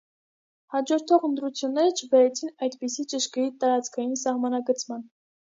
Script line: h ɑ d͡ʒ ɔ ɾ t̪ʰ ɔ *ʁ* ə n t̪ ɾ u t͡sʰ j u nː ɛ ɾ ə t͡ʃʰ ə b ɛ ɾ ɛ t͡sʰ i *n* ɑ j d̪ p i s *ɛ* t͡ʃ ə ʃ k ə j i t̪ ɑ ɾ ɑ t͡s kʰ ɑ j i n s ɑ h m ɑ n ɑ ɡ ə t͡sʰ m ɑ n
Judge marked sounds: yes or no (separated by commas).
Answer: yes, yes, no